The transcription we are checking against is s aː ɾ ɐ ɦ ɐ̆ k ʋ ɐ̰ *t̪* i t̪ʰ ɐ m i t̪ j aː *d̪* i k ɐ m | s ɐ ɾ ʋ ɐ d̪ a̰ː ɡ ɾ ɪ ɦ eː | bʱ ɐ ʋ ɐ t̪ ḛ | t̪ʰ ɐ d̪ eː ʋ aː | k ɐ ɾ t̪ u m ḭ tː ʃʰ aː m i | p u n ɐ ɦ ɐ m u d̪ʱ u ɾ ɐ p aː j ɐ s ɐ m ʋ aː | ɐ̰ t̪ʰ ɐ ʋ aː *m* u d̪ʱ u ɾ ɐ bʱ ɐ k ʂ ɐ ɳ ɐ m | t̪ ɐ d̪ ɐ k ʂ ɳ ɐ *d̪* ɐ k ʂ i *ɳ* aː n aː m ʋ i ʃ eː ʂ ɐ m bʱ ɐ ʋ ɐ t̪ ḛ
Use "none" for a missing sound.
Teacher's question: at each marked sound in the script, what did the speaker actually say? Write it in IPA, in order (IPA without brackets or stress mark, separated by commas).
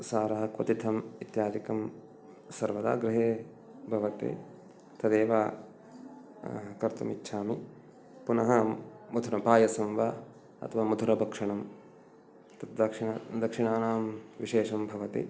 t̪, d̪, m, d̪, ɳ